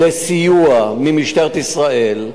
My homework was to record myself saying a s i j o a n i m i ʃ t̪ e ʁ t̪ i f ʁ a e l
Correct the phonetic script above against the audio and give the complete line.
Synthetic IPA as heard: e s i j u a m i m i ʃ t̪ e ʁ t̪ i s ʁ a e l